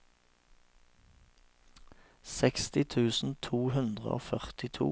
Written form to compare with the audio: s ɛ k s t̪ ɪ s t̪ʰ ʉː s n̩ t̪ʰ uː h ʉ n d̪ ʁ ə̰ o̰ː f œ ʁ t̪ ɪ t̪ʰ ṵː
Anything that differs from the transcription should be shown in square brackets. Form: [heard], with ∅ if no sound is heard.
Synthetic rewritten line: s ɛ k s t̪ ɪ [∅] t̪ʰ ʉː s n̩ t̪ʰ uː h ʉ n d̪ ʁ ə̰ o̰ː f œ ʁ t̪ ɪ t̪ʰ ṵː

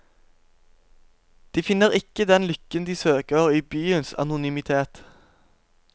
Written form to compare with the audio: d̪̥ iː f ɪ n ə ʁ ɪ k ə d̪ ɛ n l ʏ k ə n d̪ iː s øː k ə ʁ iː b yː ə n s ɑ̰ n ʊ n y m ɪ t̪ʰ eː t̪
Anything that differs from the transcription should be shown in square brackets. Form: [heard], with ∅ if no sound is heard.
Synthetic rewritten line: d̪̥ iː f ɪ n ə ʁ ɪ k ə d̪ ɛ n l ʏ k ə n d̪ iː s øː k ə ʁ iː b yː ə n s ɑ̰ n ʊ n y m ɪ t̪ʰ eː t̪

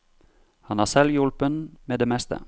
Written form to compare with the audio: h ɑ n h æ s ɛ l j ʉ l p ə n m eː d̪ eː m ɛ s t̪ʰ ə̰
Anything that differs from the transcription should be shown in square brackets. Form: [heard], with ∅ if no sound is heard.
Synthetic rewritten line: h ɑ n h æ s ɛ l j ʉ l p ə n m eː d̪ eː m ɛ s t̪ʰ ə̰

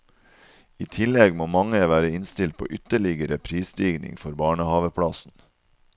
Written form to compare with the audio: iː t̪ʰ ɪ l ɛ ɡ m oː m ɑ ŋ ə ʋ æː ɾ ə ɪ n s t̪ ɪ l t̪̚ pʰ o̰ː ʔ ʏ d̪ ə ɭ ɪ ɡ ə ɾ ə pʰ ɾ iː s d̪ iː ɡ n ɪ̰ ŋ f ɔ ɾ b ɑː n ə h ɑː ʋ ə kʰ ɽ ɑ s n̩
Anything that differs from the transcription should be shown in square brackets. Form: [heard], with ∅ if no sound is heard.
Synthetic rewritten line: iː t̪ʰ ɪ l ɛ ɡ m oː m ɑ ŋ ə ʋ æː ɾ ə ɪ n s t̪ ɪ l t̪̚ pʰ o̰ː ʔ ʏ [t̪] ə ɭ ɪ ɡ ə ɾ ə pʰ ɾ iː s d̪ iː ɡ n ɪ̰ ŋ f ɔ ɾ b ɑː [ɳ] ə h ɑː ʋ ə [pʰ] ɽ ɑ s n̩

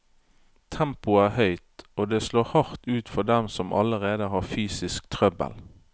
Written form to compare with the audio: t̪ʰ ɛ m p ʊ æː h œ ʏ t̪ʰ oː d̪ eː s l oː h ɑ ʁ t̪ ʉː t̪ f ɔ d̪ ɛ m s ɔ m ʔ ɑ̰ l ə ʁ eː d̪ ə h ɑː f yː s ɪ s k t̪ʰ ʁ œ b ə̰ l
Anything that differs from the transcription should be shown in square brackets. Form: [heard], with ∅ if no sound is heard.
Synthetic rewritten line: t̪ʰ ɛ m p ʊ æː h œ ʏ [t̪] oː d̪ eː s l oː h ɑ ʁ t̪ ʉː t̪ f ɔ d̪ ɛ m s ɔ m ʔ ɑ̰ l ə ʁ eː d̪ ə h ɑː f yː s ɪ s k t̪ʰ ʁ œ b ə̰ l

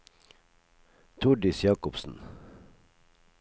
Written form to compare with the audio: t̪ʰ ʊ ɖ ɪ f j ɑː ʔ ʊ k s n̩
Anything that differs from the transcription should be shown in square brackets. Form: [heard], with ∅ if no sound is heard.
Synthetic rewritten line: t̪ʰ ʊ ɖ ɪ [s] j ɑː [k] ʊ [p] s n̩

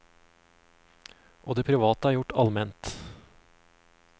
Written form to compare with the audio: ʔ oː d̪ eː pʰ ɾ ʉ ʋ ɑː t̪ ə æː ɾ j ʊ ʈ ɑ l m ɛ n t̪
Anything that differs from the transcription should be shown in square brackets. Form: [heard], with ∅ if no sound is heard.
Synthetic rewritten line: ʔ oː d̪ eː pʰ ɾ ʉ ʋ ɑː t̪ ə æː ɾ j ʊ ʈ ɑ l m ɛ n t̪

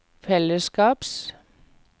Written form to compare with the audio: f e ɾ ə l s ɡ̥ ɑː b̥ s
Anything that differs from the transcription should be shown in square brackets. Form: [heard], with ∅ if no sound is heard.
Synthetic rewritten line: f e [l] ə [∅] s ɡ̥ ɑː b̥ s

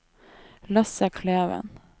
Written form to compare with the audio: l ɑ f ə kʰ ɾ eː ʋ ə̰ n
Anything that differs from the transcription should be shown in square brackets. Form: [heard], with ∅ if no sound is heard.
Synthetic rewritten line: l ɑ [s] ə kʰ [l] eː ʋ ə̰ n

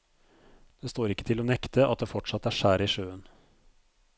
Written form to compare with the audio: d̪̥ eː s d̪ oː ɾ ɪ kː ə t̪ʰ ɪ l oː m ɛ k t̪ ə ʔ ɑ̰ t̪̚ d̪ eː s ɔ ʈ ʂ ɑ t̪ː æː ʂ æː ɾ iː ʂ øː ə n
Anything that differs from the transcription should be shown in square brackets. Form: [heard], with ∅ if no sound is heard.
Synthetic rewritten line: d̪̥ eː s [t̪] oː ɾ ɪ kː ə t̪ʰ ɪ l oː [n] ɛ k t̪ ə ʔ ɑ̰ t̪̚ d̪ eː [f] ɔ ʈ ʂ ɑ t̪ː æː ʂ æː ɾ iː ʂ øː ə n

